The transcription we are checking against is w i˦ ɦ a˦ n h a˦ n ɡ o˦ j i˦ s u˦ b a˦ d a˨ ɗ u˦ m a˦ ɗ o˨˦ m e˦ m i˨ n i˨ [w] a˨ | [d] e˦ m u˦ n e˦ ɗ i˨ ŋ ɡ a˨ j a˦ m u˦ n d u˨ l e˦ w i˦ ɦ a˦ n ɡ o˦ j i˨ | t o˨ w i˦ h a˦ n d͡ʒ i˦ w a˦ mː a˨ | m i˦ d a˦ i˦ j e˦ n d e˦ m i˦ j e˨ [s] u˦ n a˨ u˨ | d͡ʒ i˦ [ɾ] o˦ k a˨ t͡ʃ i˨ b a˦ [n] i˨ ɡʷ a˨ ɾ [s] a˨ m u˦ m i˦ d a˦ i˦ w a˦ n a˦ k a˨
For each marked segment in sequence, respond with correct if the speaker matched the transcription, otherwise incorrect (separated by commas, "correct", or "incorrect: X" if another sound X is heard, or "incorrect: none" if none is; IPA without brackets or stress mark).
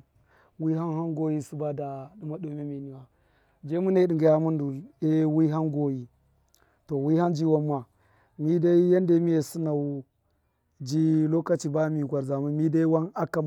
correct, incorrect: d͡ʒ, correct, incorrect: l, incorrect: m, incorrect: z